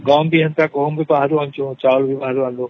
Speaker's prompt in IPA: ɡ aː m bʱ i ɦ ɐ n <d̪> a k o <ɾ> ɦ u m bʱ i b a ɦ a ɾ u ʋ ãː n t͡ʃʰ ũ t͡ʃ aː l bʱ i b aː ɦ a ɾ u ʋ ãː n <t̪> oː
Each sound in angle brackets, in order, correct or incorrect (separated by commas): incorrect, incorrect, incorrect